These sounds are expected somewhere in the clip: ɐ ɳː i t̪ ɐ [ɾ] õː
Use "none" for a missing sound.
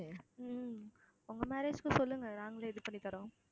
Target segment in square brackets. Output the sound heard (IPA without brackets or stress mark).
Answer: ɾ